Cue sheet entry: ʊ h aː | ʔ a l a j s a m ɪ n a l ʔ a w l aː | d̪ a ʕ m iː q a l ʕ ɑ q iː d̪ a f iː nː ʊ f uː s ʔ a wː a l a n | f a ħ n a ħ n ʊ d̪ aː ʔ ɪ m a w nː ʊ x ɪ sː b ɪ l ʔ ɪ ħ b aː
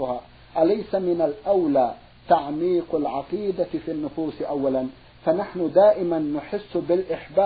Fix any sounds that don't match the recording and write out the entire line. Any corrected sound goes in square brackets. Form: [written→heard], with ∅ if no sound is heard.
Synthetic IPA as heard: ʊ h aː | ʔ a l a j s a m ɪ n a l ʔ a w l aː | [d̪→t̪] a ʕ m iː q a l ʕ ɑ q iː d̪ a f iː nː ʊ f uː s ʔ a wː a l a n | f a [ħ→∅] n a ħ n ʊ d̪ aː ʔ ɪ m a [w→∅] nː ʊ [x→ħ] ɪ sː b ɪ l ʔ ɪ ħ b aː